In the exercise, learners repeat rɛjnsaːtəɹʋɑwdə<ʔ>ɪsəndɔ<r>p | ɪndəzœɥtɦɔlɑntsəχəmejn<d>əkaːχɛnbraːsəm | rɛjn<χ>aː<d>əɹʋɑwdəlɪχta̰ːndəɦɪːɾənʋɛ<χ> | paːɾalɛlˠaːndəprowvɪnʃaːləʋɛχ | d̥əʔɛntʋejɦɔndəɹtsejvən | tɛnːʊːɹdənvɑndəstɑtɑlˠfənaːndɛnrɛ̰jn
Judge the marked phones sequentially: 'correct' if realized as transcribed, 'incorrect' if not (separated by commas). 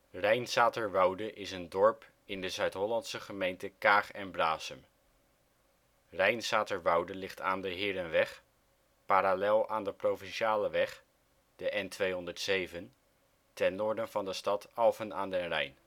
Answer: correct, incorrect, incorrect, incorrect, incorrect, correct